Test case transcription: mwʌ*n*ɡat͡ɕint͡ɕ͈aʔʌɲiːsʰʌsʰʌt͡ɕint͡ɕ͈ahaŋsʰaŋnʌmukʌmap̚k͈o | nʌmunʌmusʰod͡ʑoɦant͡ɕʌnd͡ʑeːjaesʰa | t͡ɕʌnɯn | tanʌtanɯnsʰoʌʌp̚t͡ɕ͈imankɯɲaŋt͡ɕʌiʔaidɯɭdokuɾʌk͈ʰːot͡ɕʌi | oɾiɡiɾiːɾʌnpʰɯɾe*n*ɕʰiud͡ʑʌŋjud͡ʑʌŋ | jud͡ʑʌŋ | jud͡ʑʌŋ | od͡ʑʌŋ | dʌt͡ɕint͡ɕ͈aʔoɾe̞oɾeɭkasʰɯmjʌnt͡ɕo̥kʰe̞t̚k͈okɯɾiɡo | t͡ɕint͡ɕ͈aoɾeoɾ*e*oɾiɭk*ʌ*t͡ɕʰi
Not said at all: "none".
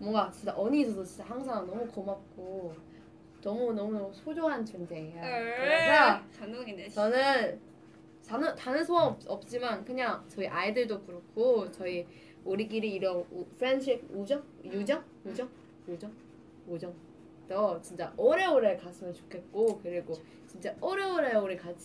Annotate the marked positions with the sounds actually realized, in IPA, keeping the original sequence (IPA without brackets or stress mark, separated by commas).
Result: ŋ, n, e, a